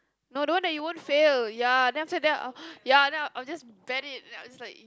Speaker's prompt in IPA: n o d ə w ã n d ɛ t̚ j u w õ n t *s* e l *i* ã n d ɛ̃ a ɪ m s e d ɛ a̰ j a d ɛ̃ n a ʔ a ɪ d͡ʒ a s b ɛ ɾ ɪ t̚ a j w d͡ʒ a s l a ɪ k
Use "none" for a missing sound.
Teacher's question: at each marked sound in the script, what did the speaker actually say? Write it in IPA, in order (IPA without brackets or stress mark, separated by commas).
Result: f, j